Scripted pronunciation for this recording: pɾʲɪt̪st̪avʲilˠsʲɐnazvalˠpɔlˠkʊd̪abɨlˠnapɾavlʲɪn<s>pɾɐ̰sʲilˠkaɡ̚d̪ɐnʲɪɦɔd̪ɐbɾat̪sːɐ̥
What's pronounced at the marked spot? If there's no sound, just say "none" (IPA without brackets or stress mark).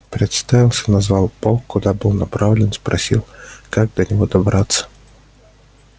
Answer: s